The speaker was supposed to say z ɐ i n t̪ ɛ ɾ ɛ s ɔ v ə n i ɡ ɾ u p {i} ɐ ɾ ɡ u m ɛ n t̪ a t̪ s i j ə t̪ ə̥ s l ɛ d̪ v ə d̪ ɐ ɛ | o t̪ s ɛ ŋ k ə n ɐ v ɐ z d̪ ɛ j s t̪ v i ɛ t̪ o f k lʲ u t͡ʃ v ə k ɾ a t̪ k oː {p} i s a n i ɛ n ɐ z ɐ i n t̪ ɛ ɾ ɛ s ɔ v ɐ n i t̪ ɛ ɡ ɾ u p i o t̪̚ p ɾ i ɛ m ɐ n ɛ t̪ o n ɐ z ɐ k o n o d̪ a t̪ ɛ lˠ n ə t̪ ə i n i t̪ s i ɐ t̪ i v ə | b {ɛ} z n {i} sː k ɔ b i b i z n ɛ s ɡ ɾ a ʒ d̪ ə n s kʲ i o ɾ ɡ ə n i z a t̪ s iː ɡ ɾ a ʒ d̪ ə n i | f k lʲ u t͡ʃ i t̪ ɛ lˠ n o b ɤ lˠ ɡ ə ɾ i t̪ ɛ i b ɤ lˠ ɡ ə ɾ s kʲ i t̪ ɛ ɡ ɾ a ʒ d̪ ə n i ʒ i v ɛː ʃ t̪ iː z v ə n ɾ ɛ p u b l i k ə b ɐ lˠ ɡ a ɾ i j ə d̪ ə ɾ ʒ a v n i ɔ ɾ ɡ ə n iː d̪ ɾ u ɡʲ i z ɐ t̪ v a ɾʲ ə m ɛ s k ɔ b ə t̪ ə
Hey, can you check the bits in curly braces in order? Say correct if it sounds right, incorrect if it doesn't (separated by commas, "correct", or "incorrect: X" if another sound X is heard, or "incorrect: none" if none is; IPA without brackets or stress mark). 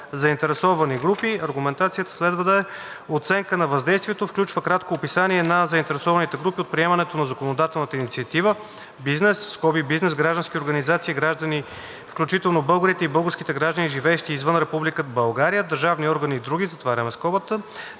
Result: correct, correct, incorrect: i, incorrect: ɛ